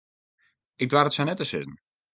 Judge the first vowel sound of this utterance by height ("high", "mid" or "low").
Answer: high